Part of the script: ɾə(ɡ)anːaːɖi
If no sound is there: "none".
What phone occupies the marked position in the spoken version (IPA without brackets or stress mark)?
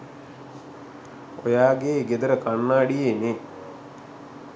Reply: k